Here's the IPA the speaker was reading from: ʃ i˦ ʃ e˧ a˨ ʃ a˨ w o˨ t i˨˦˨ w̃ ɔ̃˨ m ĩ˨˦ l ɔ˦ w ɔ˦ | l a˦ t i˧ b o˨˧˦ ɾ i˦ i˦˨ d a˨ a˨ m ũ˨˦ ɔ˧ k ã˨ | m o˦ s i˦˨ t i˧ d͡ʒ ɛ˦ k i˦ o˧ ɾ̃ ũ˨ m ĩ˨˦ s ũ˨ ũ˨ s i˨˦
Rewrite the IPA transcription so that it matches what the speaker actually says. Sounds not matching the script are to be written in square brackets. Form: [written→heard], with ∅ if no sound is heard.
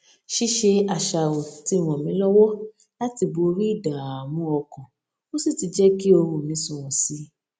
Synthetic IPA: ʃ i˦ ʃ e˧ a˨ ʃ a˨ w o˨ t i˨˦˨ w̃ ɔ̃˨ m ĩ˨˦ l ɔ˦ w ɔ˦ | l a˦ t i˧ b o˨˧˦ ɾ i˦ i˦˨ d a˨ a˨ m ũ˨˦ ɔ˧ k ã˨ | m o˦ s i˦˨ t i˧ d͡ʒ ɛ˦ k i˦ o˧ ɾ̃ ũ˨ m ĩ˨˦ s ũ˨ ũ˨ s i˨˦